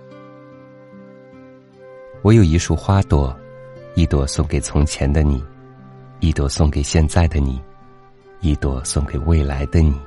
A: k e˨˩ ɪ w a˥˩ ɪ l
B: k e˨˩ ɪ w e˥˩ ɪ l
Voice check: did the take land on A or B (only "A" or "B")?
B